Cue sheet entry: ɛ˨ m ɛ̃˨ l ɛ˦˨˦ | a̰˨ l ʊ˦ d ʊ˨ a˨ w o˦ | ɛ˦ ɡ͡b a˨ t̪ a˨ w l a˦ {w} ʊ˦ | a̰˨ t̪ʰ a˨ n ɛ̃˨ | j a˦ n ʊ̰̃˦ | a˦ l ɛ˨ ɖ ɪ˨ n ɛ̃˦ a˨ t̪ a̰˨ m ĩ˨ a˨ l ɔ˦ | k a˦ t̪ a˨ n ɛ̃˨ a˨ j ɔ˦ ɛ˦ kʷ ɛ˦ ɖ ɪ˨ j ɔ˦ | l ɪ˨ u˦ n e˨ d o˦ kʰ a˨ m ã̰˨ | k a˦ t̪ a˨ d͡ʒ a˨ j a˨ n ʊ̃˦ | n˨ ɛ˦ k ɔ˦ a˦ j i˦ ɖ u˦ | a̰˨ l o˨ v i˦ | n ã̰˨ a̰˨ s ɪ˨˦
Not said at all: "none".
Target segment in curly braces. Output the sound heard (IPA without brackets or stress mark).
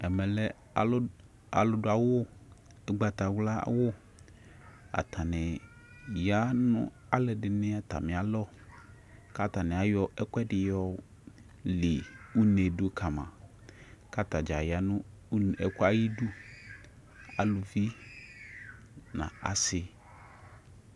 w